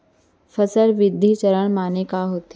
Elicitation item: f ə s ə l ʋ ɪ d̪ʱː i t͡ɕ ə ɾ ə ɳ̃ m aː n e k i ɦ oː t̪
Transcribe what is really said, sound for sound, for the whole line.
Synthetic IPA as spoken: f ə s ə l ʋ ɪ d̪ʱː i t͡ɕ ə ɾ ə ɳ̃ m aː n e k a ɦ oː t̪